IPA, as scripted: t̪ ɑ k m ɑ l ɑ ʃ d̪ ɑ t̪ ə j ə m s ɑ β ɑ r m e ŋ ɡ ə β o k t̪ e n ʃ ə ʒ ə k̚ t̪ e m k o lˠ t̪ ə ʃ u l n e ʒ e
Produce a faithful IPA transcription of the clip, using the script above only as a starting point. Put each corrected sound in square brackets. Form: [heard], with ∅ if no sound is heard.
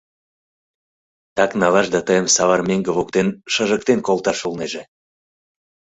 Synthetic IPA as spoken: t̪ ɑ k [n] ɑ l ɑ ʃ d̪ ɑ t̪ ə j ə m s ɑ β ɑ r m e ŋ ɡ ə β o k t̪ e n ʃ ə ʒ ə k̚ t̪ e [n] k o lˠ t̪ [ɑ] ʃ u l n e ʒ e